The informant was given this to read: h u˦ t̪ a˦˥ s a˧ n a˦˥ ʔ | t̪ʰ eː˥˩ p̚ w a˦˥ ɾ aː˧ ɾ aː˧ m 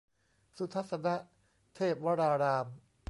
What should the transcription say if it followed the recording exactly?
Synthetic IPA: s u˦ t̪ʰ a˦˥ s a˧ n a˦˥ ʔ | t̪ʰ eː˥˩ p̚ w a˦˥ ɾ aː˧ ɾ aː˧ m